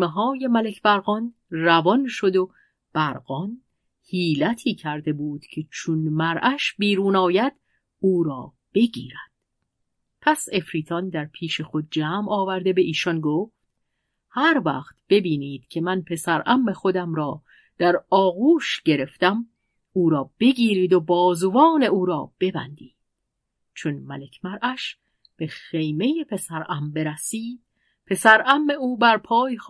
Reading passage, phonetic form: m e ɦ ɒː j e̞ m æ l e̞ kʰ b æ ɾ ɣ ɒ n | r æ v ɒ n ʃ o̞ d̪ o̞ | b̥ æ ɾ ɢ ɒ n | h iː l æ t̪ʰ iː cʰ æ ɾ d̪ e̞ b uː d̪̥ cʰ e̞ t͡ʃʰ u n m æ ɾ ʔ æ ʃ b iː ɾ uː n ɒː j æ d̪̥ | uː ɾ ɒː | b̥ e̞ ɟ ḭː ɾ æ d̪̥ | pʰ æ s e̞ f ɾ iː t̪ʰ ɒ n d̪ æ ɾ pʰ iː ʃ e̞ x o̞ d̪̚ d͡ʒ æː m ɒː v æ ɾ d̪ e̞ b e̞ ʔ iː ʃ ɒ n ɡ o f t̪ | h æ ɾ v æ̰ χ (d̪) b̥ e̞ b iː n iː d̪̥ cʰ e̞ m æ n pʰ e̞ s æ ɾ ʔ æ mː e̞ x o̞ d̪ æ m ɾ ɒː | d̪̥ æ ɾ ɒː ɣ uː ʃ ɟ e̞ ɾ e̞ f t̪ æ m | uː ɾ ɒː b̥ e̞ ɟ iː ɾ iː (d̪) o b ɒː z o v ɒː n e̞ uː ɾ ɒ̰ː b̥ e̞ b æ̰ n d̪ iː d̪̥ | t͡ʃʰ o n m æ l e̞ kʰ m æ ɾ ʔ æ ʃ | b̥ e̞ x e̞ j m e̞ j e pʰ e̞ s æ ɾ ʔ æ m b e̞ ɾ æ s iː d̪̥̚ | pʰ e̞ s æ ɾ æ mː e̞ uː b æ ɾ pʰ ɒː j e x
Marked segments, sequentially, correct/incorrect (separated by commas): incorrect, correct